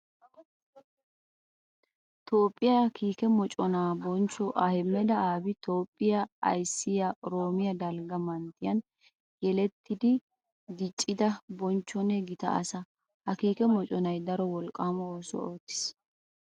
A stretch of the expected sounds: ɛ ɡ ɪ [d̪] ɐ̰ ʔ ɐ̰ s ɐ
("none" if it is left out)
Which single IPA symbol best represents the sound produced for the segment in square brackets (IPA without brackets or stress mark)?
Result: t̪